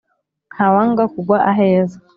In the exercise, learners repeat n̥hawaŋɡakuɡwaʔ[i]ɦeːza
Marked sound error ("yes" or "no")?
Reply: yes